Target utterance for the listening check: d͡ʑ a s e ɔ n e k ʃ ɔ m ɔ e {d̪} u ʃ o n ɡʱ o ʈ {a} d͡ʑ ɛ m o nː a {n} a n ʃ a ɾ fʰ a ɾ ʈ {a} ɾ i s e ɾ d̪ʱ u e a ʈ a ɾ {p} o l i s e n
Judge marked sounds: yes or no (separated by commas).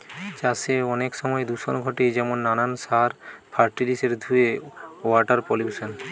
yes, no, yes, no, yes